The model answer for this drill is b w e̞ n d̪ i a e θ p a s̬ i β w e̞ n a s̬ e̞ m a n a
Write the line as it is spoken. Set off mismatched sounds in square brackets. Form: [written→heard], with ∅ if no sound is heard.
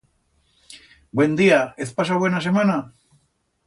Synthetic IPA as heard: b w e̞ n d̪ i a e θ p a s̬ [i→a] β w e̞ n a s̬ e̞ m a n a